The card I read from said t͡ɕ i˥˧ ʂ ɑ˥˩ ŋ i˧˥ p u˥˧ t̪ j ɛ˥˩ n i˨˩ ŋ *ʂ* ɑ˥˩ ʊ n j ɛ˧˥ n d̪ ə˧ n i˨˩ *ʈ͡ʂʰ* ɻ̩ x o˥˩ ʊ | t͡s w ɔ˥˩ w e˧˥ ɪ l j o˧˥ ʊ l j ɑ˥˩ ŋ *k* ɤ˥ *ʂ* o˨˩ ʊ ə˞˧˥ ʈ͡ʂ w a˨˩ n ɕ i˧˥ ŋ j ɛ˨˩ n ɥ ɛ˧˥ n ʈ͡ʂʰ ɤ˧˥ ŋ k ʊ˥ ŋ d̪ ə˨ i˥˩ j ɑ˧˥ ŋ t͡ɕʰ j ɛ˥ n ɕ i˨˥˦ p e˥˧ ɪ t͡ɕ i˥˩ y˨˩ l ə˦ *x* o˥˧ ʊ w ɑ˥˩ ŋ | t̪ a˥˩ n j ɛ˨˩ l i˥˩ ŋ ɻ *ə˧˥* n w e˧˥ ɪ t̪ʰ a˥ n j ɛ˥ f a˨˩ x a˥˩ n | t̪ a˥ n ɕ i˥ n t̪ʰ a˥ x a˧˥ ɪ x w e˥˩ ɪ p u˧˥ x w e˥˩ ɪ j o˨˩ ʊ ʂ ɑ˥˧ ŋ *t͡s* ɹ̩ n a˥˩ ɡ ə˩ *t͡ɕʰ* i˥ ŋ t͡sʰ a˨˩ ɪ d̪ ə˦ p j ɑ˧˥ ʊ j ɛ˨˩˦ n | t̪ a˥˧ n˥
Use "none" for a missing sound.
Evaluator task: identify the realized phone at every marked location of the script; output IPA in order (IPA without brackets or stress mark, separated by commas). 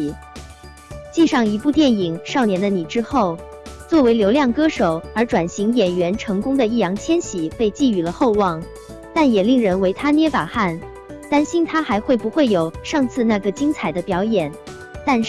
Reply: ʂ, ʈ͡ʂ, k, ʂ, x, ə˧˥, t͡sʰ, t͡ɕ